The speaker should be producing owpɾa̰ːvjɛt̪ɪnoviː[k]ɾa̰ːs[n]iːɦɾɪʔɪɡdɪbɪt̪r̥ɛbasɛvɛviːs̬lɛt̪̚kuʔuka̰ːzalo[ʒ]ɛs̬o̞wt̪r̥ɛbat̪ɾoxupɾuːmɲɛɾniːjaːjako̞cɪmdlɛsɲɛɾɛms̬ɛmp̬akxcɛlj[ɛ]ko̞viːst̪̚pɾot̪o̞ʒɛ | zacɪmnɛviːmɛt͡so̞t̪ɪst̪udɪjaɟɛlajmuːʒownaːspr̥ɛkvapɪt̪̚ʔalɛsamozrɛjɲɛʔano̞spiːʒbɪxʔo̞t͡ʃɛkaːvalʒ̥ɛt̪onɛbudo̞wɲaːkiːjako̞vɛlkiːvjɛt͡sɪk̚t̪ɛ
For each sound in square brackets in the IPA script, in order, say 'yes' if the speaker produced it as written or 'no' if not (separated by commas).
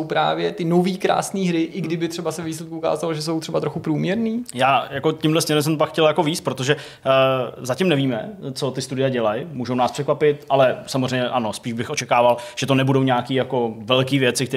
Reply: yes, yes, yes, no